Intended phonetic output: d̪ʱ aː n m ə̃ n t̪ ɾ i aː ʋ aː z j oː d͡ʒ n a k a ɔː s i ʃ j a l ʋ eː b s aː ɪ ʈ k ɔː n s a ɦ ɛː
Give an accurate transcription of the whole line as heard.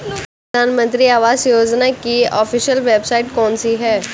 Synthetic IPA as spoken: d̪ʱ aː n m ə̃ n t̪ ɾ i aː ʋ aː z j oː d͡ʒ n a k i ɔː f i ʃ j ə l ʋ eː b s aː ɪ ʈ k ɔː n s i ɦ ɛː